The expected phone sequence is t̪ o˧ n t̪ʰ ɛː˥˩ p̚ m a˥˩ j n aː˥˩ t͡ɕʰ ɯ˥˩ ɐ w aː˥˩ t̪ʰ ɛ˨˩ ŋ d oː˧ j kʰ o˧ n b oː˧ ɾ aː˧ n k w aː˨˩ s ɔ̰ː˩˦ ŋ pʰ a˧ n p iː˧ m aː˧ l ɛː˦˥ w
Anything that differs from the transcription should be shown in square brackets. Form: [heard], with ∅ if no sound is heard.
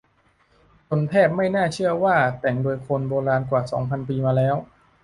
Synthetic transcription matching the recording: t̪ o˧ n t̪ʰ ɛː˥˩ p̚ m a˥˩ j n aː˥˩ t͡ɕʰ ɯ˥˩ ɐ w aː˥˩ [t̪] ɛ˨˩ ŋ d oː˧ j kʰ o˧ n b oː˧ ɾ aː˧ n k w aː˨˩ s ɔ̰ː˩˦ ŋ pʰ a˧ n p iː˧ m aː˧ l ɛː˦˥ w